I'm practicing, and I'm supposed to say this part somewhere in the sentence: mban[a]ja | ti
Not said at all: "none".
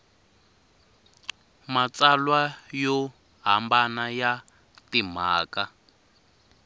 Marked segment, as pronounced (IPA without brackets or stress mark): a